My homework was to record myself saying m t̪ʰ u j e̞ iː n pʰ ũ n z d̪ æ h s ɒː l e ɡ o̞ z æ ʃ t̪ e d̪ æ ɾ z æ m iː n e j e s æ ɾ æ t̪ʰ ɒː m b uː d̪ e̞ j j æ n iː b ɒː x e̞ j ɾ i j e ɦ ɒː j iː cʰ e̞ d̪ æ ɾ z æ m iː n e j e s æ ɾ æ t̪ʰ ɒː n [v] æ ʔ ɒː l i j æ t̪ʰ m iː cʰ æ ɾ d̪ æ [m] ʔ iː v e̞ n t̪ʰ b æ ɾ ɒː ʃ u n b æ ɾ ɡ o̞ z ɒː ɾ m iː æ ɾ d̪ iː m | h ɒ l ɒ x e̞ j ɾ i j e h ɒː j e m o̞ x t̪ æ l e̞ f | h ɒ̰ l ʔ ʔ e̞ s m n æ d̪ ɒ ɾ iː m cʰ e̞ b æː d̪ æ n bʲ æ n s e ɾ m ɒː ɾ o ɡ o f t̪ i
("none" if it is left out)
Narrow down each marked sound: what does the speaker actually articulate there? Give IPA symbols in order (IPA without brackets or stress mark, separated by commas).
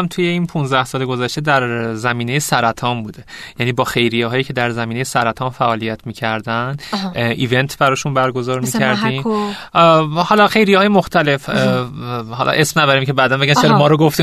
f, n